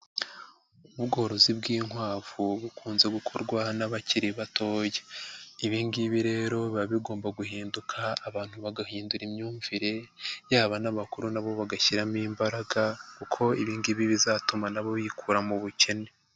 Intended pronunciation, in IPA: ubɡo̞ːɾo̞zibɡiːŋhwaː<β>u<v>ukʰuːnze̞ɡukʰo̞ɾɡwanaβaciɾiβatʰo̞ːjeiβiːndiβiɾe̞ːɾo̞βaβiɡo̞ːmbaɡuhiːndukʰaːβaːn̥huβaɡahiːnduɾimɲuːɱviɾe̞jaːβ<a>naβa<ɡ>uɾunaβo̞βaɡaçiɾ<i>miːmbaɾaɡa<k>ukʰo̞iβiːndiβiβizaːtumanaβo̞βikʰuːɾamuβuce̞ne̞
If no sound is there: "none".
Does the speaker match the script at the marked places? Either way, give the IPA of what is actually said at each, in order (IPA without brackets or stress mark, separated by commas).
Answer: v, β, a, k, a, k